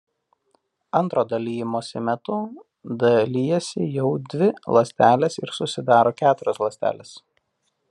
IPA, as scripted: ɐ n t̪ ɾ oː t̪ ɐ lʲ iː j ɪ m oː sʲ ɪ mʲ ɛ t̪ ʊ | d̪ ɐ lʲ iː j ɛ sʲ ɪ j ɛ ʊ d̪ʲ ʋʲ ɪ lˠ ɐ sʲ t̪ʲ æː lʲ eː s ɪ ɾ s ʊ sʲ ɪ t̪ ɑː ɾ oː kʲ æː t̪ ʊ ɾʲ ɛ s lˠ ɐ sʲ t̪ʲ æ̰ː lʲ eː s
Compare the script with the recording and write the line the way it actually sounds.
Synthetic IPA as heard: ɐ n t̪ ɾ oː d̪ ɐ lʲ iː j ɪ m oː sʲ ɪ mʲ ɛ t̪ ʊ | d̪ ɐ lʲ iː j ɛ sʲ ɪ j ɛ ʊ d̪ʲ ʋʲ ɪ lˠ ɐ sʲ t̪ʲ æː lʲ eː s ɪ ɾ s ʊ sʲ ɪ d̪ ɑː ɾ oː kʲ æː t̪ ʊ ɾʲ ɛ s lˠ ɐ sʲ t̪ʲ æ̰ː lʲ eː s